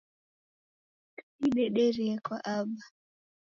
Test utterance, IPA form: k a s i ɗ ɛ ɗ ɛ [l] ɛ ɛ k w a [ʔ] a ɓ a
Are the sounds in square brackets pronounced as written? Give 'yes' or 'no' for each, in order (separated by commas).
no, yes